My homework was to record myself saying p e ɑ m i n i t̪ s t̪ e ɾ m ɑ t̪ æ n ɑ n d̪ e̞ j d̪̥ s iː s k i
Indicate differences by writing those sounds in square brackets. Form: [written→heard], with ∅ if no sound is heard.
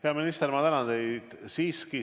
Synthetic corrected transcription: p e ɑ m i n i [t̪→∅] s t̪ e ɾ m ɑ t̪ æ n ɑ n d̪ e̞ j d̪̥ s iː s k i